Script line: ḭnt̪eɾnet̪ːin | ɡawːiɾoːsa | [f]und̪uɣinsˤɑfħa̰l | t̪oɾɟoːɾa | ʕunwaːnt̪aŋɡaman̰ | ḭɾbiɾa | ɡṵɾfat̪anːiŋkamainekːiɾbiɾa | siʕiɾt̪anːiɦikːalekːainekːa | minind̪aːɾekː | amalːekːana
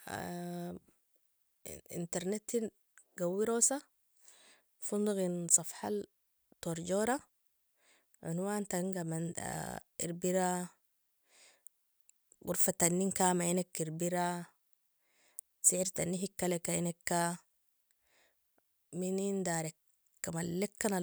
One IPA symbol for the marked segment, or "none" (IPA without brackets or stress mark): f